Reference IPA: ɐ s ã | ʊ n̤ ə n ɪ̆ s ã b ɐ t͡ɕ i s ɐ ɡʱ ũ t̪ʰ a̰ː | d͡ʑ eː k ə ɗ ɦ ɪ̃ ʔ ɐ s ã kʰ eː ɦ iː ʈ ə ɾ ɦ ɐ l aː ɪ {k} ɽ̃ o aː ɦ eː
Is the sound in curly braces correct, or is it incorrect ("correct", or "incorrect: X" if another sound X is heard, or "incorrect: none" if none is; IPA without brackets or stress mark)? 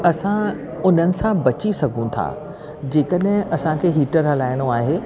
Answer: incorrect: none